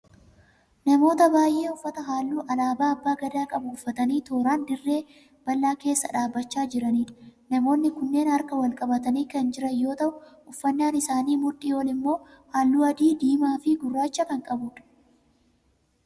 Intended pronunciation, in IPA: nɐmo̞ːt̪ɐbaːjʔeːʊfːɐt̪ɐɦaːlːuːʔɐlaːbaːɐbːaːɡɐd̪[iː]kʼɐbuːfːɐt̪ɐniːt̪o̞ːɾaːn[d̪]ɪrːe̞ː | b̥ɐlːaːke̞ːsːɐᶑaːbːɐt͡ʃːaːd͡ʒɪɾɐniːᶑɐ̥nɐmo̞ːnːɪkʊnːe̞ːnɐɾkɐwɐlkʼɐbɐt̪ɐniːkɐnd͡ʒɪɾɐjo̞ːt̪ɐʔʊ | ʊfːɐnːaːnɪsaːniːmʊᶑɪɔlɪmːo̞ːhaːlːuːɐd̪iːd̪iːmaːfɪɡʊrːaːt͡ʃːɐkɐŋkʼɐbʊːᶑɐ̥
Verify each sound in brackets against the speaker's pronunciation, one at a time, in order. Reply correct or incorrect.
incorrect, correct

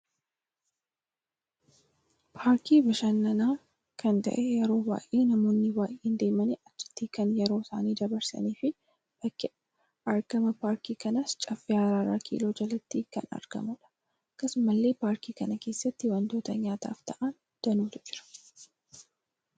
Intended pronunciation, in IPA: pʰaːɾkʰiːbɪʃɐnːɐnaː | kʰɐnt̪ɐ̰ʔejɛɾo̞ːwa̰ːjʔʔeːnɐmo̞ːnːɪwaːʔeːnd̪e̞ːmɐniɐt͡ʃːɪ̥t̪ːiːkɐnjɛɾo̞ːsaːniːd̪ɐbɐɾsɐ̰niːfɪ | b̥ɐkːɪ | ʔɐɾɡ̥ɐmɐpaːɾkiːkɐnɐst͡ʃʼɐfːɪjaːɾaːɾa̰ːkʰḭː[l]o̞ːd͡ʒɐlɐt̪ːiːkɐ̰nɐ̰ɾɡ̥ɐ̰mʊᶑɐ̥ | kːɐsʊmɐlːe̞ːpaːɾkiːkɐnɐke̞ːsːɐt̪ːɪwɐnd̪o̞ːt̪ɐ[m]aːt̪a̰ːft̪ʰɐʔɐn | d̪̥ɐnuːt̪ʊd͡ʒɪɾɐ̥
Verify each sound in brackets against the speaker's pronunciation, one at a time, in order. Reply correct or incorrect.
correct, incorrect

